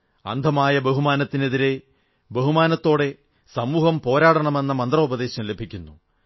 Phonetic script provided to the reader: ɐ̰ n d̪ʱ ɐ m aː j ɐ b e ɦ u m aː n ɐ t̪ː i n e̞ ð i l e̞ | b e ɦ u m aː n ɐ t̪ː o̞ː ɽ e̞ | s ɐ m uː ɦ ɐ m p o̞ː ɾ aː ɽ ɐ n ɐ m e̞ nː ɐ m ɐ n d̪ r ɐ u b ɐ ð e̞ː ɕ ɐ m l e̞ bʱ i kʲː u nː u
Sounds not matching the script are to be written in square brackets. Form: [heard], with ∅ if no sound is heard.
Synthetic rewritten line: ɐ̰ n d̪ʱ ɐ m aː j ɐ b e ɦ u m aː n ɐ t̪ː i n e̞ ð i [ɾ] e̞ | b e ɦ u m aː n ɐ t̪ː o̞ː ɽ e̞ | s ɐ m uː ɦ ɐ m p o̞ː ɾ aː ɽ ɐ [ɳ] ɐ m e̞ nː ɐ m ɐ n d̪ r ɐ u b ɐ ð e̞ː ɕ ɐ m l e̞ bʱ i kʲː u nː u